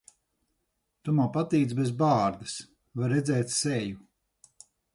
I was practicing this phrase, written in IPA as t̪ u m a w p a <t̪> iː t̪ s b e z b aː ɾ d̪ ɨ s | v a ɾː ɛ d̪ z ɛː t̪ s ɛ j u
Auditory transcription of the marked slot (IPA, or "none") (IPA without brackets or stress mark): t̪